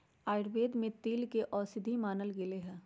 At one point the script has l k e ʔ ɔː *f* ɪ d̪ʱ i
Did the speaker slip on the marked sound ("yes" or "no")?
yes